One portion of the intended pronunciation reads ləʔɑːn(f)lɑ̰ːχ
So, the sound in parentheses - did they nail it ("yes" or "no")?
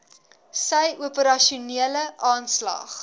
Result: no